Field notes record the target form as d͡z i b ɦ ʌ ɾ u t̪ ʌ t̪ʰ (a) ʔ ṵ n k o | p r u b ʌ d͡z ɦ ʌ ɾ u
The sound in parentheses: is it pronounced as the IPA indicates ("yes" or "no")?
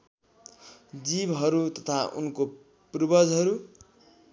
yes